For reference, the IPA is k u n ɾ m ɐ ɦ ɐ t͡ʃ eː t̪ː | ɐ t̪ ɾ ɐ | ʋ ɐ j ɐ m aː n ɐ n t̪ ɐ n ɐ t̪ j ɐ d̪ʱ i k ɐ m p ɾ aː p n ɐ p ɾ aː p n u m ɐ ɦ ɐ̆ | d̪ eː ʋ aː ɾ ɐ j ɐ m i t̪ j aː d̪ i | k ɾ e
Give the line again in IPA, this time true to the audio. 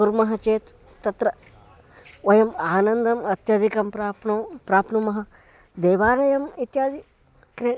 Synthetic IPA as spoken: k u ɾ m ɐ ɦ ɐ t͡ʃ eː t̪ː | ɐ t̪ ɾ ɐ | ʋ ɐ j ɐ m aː n ɐ n d̪ ɐ m ɐ t̪ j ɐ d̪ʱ i k ɐ m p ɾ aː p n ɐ p ɾ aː p n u m ɐ ɦ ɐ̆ | d̪ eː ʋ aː ɾ ɐ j ɐ m i t̪ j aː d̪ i | k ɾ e